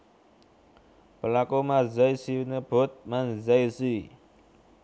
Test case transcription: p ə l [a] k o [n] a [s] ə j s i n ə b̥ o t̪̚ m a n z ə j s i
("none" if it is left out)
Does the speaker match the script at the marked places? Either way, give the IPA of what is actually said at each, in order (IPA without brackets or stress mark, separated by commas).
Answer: a, m, z